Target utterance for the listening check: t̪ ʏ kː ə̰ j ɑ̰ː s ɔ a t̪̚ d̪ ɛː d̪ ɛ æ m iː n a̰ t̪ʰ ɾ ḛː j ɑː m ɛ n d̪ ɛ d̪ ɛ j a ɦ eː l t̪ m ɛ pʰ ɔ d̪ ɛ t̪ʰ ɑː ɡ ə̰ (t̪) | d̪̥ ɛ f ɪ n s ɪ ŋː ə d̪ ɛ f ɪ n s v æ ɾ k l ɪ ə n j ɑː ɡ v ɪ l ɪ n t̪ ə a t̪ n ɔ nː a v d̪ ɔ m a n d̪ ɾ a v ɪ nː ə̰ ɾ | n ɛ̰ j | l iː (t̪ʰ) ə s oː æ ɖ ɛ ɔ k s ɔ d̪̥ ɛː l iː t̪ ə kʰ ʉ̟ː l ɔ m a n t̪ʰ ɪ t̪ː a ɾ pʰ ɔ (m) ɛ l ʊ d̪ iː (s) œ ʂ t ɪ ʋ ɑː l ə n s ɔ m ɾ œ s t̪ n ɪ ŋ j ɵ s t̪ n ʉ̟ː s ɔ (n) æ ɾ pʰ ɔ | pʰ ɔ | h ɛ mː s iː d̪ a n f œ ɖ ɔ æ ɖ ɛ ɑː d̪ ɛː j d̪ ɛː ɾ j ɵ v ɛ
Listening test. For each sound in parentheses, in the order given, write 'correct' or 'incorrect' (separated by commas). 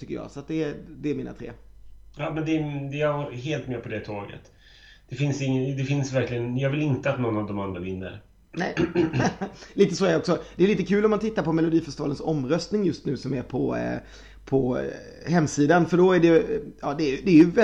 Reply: correct, incorrect, correct, incorrect, incorrect